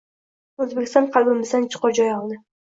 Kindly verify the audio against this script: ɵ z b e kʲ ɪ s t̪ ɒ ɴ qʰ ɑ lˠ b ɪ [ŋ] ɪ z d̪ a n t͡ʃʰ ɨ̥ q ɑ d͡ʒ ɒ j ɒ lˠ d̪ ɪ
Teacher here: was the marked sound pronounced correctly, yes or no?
no